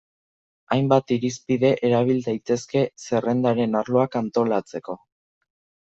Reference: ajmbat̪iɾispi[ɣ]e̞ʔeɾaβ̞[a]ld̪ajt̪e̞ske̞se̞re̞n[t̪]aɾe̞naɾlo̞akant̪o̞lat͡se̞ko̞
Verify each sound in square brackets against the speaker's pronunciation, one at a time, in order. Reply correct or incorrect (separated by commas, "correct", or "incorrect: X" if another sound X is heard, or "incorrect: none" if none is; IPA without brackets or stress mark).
incorrect: ð, incorrect: i, incorrect: d̪